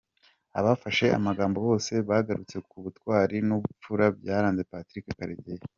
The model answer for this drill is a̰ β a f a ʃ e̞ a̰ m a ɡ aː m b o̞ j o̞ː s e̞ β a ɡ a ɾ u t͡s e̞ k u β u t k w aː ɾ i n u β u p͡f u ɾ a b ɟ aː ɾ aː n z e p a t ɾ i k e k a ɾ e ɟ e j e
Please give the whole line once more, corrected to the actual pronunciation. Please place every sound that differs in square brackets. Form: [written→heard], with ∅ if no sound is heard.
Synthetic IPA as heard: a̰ β a f a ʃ e̞ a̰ m a ɡ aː m b o̞ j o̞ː s e̞ β a ɡ a ɾ u t͡s e̞ k u β u t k w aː ɾ i n u β u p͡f u ɾ a b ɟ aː ɾ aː n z e p a t ɾ i k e k a ɾ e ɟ e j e